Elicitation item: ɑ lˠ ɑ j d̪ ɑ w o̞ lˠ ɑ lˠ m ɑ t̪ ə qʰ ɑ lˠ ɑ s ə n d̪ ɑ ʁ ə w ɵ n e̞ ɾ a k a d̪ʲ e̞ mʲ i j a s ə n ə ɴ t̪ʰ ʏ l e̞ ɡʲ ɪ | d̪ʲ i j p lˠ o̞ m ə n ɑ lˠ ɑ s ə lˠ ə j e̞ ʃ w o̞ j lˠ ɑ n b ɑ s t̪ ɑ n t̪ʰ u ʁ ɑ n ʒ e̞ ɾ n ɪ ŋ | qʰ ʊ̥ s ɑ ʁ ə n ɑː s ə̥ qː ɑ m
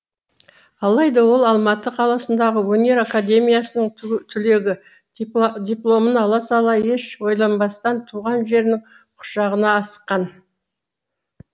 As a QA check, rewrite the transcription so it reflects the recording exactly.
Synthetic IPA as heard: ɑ lˠ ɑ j d̪ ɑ w o̞ lˠ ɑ lˠ m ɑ t̪ ə qʰ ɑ lˠ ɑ s ə n d̪ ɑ ʁ ə w ɵ n e̞ ɾ a k a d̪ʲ e̞ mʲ i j a s ə n ə ɴ t̪ʰ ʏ l e̞ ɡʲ ɪ | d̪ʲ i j p lˠ o̞ m ə n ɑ lˠ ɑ s ɑ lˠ ɑ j e̞ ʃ w o̞ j lˠ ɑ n b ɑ s t̪ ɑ n t̪ʰ u ʁ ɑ n ʒ e̞ ɾ n ɪ ŋ | qʰ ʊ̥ ʃ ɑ ʁ ə n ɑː s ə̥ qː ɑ n